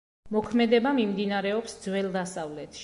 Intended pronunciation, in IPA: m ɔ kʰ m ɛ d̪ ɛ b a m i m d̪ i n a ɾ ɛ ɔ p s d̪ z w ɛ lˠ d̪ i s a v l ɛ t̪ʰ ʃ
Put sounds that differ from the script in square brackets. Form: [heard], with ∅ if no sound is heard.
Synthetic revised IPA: m ɔ kʰ m ɛ d̪ ɛ b a m i m d̪ i n a ɾ ɛ ɔ p s d̪ z w ɛ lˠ d̪ [a] s a v l ɛ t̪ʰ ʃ

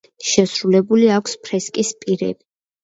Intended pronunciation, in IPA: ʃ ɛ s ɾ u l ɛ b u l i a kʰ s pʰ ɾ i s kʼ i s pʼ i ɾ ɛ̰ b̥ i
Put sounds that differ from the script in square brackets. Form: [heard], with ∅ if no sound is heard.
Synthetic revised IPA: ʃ ɛ s ɾ u l ɛ b u l i a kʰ s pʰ ɾ [ɛ] s kʼ i s pʼ i ɾ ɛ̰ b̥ i

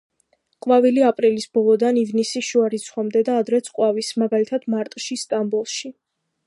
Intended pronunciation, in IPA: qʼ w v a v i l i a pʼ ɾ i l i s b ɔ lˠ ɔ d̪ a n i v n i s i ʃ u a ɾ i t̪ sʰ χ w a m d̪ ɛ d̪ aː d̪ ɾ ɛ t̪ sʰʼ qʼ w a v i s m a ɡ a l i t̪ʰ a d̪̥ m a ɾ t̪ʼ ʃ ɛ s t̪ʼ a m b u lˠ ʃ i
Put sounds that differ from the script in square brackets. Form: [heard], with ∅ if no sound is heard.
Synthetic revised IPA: qʼ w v a v i l i a pʼ ɾ i l i s b ɔ lˠ ɔ d̪ a n i v n i s i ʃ u a ɾ i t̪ sʰ χ w a m d̪ ɛ d̪ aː d̪ ɾ ɛ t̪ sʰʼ qʼ w a v i s m a ɡ a l i t̪ʰ a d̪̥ m a ɾ t̪ʼ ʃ [i] s t̪ʼ a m b u lˠ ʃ i

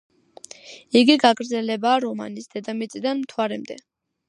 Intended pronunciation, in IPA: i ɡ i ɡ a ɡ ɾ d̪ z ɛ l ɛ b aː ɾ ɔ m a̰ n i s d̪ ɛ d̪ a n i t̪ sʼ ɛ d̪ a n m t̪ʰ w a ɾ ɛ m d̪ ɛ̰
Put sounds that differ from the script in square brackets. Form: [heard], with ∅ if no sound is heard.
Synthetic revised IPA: i ɡ i ɡ a ɡ ɾ d̪ z ɛ l ɛ b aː ɾ ɔ m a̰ n i s d̪ ɛ d̪ a [m] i t̪ sʼ [i] d̪ a n m t̪ʰ w a ɾ ɛ m d̪ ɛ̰

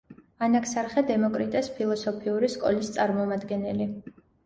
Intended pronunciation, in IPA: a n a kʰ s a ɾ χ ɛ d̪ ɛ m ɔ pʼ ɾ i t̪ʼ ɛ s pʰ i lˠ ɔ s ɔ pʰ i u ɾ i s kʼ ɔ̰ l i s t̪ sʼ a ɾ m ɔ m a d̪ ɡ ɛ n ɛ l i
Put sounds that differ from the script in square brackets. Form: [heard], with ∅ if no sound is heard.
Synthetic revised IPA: a n a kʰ s a ɾ χ ɛ d̪ ɛ m ɔ [kʼ] ɾ i t̪ʼ ɛ s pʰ i lˠ ɔ s ɔ pʰ i u ɾ i s kʼ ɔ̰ l i s t̪ sʼ a ɾ m ɔ m a d̪ ɡ ɛ n ɛ l i

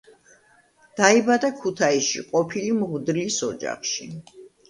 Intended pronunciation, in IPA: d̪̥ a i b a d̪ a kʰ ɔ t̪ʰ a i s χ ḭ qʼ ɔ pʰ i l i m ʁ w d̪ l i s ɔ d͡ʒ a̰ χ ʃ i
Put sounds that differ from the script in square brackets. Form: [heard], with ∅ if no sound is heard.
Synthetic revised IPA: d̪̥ a i b a d̪ a kʰ [u] t̪ʰ a i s [ʃ] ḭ qʼ ɔ pʰ i l i m ʁ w d̪ l i s ɔ d͡ʒ a̰ χ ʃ i

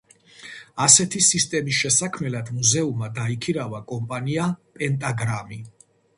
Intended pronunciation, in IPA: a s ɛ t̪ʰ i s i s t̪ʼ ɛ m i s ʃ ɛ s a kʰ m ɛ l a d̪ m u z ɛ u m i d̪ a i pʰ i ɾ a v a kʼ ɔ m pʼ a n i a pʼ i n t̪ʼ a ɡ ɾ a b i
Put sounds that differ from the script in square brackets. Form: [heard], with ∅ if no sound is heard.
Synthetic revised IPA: a s ɛ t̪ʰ i s i s t̪ʼ ɛ m i s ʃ ɛ s a kʰ m ɛ l a d̪ m u z ɛ u m [a] d̪ a i [kʰ] i ɾ a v a kʼ ɔ m pʼ a n i a pʼ [ɛ] n t̪ʼ a ɡ ɾ a [m] i

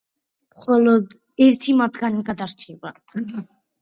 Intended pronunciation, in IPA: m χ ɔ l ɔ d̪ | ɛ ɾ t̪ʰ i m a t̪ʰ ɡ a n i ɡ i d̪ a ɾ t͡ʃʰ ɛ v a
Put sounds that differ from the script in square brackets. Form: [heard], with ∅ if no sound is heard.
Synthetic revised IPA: m χ ɔ l ɔ d̪ | ɛ ɾ t̪ʰ i m a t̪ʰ ɡ a n i ɡ [a] d̪ a ɾ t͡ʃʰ ɛ [b] a

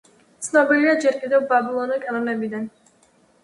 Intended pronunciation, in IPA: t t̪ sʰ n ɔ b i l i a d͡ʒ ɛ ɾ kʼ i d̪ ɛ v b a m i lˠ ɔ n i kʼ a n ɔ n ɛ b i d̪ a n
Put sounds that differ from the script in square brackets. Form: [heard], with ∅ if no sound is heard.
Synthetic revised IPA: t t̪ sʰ n ɔ b i l i a d͡ʒ ɛ ɾ kʼ i d̪ ɛ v b a [b] i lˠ ɔ n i kʼ a n ɔ n ɛ b i d̪ a n

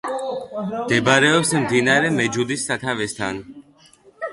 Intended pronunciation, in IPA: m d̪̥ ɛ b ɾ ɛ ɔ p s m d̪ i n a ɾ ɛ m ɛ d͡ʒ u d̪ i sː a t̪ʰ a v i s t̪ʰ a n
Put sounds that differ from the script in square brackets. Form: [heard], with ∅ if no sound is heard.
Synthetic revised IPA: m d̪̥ ɛ b ɾ ɛ ɔ p s m d̪ i n a ɾ ɛ m ɛ d͡ʒ u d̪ i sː a t̪ʰ a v [ɛ] s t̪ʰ a n

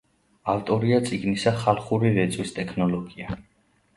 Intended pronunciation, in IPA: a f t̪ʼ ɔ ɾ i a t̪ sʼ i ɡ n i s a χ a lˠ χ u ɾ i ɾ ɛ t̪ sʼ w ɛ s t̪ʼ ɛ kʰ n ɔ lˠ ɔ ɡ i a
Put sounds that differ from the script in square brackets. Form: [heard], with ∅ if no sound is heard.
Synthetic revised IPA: a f t̪ʼ ɔ ɾ i a t̪ sʼ i ɡ n i s a χ a lˠ χ u ɾ i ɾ ɛ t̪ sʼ w [i] s t̪ʼ ɛ kʰ n ɔ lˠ ɔ ɡ i a

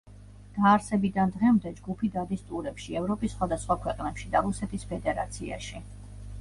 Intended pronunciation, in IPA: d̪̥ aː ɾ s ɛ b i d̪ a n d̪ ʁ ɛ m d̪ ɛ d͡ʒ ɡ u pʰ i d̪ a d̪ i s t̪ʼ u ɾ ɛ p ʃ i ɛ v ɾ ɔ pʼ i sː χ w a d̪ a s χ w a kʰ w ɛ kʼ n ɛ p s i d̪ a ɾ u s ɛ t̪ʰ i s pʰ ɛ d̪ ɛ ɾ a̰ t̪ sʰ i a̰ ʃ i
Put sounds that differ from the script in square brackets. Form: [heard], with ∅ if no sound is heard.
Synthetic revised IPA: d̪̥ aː ɾ s ɛ b i d̪ a n d̪ ʁ ɛ m d̪ ɛ d͡ʒ ɡ u pʰ i d̪ a d̪ i s t̪ʼ u ɾ ɛ p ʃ i ɛ v ɾ ɔ pʼ i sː χ w a d̪ a s χ w a kʰ w ɛ [qʼ] n ɛ p [ʃ] i d̪ a ɾ u s ɛ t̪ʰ i s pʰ ɛ d̪ ɛ ɾ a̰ t̪ sʰ i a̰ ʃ i

